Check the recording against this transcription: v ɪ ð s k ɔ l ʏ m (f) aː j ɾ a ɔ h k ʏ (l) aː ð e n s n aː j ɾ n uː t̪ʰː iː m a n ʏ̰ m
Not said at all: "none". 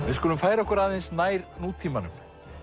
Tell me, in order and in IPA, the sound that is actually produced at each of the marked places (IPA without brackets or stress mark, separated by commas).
f, ɾ